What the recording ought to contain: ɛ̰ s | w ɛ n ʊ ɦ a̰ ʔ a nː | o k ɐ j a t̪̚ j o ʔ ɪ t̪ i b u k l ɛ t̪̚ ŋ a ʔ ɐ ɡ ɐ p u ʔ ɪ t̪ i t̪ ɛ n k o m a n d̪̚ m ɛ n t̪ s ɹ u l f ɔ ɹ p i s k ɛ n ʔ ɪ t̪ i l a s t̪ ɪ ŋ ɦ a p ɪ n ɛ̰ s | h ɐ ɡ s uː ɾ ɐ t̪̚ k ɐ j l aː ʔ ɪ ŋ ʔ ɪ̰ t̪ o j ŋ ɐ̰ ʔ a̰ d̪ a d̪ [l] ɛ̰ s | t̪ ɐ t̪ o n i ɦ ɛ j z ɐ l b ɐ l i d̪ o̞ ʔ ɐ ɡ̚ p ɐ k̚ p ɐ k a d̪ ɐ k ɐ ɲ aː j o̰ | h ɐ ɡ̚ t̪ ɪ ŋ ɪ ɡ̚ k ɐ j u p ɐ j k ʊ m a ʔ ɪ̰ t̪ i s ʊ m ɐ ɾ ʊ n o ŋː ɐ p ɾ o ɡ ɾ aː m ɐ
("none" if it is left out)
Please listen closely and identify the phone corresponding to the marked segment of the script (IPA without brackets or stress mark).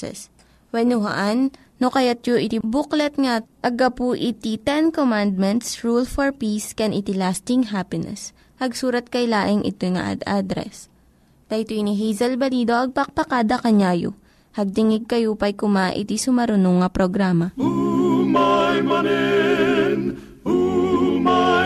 ɾ